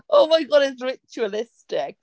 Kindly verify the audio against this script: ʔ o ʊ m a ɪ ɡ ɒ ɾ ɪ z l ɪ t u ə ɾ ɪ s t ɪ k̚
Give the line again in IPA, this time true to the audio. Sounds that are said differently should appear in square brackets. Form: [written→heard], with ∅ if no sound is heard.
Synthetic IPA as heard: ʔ o ʊ m a ɪ ɡ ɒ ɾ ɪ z [l→ɹ] ɪ [t→t͡ʃ] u ə [ɾ→l] ɪ s t ɪ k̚